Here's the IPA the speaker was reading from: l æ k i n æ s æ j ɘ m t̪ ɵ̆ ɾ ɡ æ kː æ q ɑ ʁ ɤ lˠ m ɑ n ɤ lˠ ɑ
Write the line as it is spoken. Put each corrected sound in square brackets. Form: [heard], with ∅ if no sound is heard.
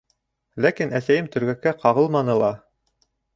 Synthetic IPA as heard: l æ k i n æ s æ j ɘ m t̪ ɵ̆ ɾ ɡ æ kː æ q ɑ ʁ ɤ lˠ m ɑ n ɤ lˠ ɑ